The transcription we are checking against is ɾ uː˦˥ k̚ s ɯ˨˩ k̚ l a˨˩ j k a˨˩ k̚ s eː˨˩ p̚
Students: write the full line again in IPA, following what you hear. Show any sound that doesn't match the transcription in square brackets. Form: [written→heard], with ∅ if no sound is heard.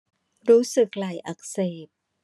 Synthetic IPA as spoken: ɾ uː˦˥ [k̚→∅] s ɯ˨˩ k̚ l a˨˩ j [k→ʔ] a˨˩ k̚ s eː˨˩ p̚